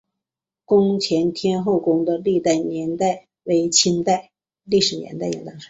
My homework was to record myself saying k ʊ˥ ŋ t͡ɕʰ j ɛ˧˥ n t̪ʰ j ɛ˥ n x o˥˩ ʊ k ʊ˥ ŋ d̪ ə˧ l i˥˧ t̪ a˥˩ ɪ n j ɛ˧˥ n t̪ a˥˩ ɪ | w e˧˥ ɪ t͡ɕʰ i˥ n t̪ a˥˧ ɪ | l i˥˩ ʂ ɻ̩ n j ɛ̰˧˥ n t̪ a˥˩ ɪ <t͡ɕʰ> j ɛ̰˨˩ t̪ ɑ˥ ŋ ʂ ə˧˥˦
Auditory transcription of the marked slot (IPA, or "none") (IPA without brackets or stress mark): none